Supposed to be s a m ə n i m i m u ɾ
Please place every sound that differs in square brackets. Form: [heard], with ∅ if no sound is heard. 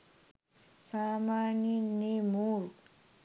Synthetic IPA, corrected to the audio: s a m [a] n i [n] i m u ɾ